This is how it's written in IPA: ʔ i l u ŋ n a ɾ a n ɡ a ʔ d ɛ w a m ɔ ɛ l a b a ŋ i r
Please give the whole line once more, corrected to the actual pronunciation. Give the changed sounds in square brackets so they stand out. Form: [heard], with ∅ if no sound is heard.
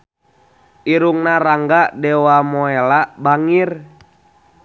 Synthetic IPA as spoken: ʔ i [ɾ] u ŋ n a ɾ a [ŋ] ɡ a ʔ d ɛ w a m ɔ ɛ l a b a ŋ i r